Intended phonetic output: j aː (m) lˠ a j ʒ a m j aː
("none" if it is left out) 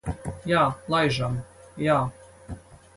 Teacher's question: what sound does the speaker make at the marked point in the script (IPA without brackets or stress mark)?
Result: none